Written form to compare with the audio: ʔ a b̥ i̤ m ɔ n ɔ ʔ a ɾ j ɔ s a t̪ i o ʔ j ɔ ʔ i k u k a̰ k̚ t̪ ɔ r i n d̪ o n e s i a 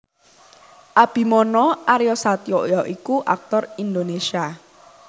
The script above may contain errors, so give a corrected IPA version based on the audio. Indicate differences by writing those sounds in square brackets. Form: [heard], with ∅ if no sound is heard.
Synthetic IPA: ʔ a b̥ i̤ m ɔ n ɔ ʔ a ɾ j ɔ s a t̪ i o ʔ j ɔ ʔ i k u [ʔ] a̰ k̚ t̪ ɔ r i n d̪ o n e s i a